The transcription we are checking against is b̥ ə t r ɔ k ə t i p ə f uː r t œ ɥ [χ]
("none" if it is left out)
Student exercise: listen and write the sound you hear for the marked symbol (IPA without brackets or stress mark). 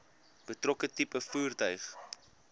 χ